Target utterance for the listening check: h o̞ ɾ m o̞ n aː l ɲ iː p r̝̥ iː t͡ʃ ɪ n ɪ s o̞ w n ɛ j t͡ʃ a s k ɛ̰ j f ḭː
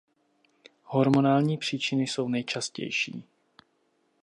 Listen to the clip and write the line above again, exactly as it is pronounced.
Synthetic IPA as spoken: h o̞ ɾ m o̞ n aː l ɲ iː p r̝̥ iː t͡ʃ ɪ n ɪ s o̞ w n ɛ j t͡ʃ a s c ɛ̰ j ʃ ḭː